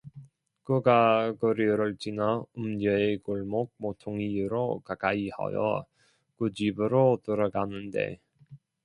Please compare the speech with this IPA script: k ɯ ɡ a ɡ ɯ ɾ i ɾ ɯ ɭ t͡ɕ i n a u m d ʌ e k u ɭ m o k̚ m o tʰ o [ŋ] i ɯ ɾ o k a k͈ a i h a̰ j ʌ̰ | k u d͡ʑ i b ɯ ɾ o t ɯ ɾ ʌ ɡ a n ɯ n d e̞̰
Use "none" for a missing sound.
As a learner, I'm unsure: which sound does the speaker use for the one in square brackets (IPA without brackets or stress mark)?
ŋ